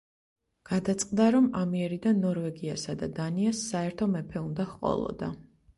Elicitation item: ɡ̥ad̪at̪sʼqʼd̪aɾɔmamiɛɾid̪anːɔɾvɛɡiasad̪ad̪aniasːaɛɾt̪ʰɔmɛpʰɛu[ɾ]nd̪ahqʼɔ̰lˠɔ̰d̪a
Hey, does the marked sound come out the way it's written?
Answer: no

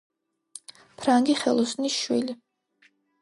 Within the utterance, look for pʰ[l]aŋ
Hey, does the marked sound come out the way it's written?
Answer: no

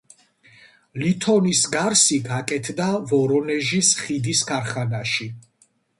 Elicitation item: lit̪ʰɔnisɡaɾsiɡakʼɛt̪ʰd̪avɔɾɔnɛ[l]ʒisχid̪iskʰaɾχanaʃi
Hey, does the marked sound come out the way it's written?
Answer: no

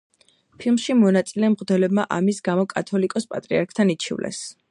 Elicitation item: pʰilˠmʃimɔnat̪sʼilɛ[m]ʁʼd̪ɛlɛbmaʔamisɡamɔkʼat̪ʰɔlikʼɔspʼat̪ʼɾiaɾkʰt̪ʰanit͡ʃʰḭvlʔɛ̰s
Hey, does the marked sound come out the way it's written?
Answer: yes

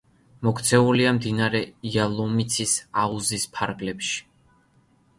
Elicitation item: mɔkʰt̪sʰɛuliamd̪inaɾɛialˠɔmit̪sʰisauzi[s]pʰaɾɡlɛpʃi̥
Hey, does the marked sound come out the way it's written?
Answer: yes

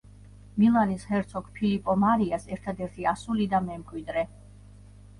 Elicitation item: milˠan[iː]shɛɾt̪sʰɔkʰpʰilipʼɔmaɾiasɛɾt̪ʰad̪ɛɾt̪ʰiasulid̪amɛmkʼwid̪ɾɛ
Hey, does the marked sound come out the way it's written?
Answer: no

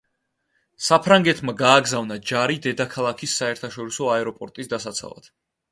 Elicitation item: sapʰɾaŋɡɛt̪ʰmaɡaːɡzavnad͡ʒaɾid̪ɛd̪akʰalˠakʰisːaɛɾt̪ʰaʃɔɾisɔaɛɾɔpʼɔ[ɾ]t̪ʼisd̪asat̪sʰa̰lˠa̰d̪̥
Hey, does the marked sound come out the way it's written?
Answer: yes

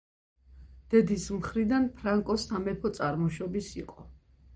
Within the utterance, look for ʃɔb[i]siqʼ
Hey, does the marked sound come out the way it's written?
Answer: yes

